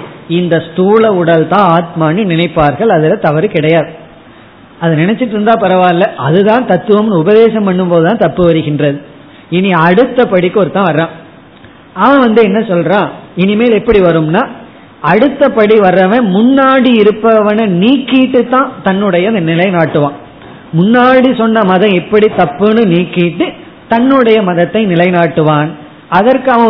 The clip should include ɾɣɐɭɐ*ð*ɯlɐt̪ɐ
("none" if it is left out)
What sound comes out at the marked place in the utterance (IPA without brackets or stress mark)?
ð